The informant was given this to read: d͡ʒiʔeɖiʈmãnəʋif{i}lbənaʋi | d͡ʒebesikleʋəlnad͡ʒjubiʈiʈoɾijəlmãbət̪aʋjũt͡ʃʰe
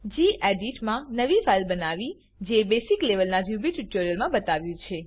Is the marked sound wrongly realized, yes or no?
yes